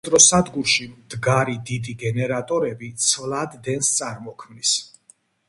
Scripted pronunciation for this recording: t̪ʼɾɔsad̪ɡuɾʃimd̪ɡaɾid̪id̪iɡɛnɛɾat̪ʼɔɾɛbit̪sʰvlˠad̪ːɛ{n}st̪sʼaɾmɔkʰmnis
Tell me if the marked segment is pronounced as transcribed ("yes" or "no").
yes